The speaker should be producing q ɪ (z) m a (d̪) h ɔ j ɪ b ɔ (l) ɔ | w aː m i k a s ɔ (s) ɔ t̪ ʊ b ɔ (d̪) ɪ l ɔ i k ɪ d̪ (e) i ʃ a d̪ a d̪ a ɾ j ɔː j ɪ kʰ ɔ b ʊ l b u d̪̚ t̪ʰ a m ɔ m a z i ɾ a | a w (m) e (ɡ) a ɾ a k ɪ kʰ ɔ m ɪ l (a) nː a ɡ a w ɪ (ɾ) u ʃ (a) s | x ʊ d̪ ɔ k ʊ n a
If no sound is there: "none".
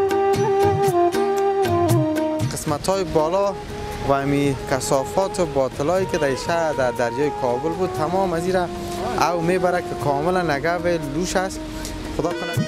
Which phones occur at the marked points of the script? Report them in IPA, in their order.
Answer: s, t̪, l, f, t̪, a, m, b, a, l, a

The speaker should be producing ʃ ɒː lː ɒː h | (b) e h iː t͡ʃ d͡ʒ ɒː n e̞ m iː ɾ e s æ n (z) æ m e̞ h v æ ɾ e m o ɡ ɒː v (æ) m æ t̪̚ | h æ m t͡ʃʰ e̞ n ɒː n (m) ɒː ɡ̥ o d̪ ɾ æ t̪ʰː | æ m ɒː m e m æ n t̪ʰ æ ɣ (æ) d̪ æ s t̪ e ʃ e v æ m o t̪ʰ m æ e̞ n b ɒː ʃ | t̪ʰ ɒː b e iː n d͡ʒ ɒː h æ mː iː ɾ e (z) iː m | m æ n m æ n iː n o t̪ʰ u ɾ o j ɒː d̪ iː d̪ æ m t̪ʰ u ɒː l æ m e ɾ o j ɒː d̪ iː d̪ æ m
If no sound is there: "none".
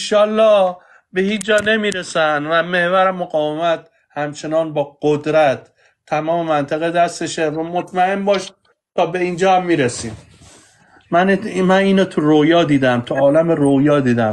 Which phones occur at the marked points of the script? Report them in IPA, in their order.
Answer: b, v, e, b, e, s

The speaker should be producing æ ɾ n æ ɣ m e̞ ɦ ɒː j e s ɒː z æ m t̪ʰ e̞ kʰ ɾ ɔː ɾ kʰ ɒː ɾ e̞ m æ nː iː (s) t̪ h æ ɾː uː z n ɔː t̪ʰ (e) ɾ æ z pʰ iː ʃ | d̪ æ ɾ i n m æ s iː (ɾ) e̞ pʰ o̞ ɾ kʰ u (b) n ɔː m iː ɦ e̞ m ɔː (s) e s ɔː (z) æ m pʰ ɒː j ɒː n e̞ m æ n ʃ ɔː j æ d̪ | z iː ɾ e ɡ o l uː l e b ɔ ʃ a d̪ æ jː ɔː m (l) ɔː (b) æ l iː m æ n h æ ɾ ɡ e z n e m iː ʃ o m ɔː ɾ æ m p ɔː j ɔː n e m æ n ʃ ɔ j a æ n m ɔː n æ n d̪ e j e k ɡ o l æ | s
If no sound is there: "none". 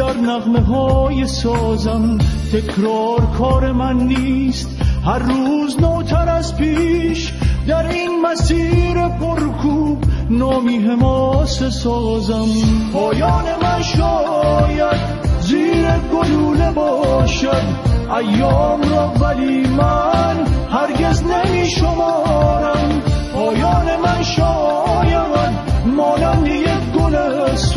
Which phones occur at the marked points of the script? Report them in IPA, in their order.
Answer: s, æ, ɾ, b, s, z, ɾ, v

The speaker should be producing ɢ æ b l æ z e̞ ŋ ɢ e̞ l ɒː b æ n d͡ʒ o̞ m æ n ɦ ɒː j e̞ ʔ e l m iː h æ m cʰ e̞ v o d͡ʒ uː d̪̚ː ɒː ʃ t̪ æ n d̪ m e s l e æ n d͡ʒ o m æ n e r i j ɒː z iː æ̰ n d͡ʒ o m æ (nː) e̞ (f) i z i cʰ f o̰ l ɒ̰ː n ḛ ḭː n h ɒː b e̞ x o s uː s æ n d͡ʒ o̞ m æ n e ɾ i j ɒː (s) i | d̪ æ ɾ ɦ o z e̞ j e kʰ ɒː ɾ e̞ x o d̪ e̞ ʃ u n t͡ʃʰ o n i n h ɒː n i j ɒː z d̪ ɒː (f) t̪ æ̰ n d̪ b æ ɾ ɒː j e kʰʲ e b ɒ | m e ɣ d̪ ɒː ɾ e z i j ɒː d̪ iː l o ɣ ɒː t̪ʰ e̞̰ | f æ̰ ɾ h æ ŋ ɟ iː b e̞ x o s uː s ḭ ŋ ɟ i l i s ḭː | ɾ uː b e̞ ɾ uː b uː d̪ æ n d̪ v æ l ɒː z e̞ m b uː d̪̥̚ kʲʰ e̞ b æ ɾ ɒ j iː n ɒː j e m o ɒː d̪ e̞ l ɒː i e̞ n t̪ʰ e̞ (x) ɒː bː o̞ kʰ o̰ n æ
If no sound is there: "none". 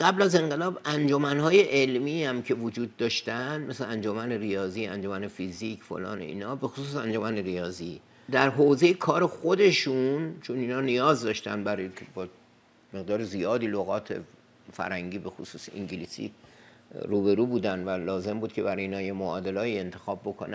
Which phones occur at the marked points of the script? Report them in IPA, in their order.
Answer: n, f, z, ʃ, x

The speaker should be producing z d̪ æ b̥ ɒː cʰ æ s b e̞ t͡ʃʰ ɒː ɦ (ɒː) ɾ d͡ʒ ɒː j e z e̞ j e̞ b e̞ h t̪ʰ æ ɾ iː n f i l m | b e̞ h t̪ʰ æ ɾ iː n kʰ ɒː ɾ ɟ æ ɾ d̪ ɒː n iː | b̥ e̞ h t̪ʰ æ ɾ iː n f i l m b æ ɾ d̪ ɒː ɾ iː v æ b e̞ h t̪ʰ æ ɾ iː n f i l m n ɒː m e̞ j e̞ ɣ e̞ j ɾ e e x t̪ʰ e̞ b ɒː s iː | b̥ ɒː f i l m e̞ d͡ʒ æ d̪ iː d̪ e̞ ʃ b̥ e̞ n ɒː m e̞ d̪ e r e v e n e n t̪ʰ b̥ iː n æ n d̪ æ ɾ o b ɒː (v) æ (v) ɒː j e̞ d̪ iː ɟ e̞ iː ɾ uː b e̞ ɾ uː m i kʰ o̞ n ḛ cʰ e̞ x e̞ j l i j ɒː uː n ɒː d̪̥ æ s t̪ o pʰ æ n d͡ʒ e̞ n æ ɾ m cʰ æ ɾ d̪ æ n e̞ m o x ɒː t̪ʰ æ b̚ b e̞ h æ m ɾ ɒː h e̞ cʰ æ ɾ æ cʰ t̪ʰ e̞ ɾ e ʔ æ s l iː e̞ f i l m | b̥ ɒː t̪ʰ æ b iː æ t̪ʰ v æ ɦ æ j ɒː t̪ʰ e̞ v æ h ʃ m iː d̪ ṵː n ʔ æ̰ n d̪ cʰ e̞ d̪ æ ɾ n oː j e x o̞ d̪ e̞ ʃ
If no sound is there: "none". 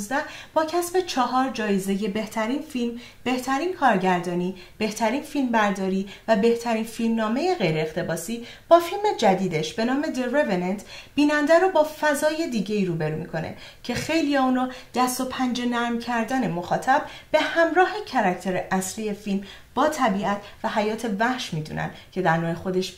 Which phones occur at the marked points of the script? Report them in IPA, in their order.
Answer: ɒː, f, z

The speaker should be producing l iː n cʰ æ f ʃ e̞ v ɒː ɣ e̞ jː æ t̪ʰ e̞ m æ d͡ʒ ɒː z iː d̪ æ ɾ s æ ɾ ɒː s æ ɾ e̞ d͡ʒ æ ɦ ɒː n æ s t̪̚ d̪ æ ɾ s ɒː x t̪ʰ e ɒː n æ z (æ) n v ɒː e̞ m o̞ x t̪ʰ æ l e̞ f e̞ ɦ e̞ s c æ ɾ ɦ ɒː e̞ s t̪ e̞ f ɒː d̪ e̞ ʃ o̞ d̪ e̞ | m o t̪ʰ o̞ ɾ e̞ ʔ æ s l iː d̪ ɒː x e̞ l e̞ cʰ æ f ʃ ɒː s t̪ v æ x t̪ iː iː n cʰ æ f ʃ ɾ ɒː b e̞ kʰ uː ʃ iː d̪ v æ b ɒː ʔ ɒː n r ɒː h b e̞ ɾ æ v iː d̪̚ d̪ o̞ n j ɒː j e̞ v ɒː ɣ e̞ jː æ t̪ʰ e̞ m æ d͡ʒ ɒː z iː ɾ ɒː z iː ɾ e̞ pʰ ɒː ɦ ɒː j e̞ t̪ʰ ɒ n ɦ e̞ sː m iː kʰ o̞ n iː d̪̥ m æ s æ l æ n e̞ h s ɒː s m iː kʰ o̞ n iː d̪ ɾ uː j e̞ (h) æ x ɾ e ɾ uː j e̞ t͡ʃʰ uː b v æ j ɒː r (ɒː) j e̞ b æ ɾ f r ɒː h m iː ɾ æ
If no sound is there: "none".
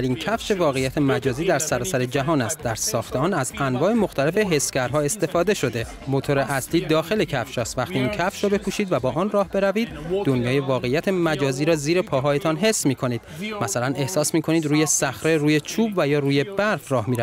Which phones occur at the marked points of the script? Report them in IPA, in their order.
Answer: æ, s, uː

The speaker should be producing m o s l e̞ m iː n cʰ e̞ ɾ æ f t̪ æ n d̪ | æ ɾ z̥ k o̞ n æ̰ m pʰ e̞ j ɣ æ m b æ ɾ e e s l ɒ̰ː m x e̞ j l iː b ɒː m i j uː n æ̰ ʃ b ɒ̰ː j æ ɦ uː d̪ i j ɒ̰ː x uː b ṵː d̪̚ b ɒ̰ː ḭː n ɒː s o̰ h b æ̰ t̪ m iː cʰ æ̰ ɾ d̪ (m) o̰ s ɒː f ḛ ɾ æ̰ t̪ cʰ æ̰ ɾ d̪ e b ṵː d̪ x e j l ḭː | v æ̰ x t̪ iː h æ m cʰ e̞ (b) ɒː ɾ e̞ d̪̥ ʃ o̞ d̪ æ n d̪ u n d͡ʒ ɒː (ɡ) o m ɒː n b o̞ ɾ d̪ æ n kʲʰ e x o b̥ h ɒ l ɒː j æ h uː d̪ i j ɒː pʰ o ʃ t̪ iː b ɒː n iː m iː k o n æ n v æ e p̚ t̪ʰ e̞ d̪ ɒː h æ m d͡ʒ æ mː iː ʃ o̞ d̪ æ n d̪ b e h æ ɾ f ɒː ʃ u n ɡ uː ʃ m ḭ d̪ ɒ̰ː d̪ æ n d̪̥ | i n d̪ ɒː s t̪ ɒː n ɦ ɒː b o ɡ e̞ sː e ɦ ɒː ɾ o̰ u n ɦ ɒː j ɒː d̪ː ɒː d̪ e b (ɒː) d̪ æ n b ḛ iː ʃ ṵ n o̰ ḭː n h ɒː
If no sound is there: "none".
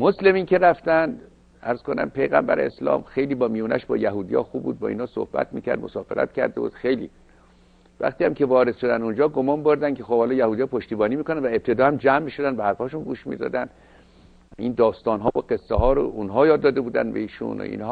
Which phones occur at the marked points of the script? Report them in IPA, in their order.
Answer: m, v, ɡ, uː

